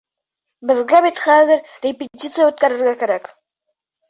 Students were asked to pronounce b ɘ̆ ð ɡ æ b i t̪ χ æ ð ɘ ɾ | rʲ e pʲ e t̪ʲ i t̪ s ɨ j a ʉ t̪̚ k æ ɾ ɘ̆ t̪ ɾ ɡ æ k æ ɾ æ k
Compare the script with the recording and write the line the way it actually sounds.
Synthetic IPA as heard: b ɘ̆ ð ɡ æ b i t̪ χ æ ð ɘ ɾ | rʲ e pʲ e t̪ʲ i t̪ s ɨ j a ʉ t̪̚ k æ ɾ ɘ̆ ɾ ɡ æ k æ ɾ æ k